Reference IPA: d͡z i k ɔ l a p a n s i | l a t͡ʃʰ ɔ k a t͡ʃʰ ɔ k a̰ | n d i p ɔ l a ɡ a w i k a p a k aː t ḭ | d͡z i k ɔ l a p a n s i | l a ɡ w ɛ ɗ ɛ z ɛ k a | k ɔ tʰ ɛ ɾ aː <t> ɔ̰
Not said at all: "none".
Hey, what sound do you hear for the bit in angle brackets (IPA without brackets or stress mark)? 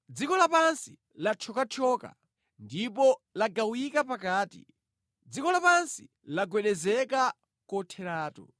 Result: t